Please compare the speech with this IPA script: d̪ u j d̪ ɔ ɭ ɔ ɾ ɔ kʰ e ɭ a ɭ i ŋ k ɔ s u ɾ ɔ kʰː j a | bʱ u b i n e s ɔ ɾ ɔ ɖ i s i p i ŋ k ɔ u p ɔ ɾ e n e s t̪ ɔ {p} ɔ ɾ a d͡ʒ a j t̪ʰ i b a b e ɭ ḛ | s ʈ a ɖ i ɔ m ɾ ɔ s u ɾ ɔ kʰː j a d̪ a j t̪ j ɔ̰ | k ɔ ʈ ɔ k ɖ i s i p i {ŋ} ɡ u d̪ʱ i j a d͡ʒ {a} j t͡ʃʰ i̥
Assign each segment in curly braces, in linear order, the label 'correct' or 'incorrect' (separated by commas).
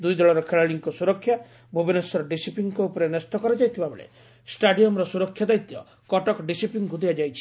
incorrect, correct, correct